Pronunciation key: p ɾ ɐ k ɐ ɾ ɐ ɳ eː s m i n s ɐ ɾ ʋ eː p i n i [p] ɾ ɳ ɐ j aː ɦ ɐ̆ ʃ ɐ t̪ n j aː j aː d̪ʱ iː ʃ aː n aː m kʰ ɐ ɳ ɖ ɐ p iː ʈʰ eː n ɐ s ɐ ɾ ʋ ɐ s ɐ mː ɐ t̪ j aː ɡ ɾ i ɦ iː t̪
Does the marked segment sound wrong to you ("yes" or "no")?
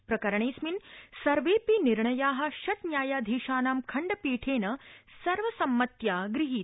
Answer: yes